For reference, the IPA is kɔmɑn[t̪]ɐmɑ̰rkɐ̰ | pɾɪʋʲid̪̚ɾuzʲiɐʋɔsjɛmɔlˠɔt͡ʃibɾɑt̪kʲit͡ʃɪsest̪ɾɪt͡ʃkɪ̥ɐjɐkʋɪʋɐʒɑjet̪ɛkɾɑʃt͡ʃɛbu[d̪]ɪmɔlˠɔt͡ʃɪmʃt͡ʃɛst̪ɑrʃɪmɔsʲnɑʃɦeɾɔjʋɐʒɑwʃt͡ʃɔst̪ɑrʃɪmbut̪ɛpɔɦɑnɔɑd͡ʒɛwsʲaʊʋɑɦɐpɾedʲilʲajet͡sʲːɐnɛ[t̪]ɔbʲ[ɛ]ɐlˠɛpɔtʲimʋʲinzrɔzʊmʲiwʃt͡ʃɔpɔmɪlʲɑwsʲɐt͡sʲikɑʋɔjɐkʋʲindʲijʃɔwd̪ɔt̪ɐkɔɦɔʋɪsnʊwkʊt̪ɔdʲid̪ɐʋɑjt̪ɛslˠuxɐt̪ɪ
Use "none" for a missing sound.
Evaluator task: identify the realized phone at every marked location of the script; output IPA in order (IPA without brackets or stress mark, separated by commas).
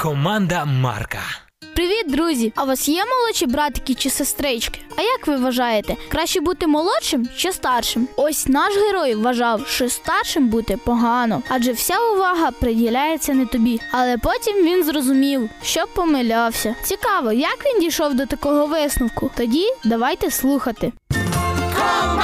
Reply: d̪, t̪, t̪, i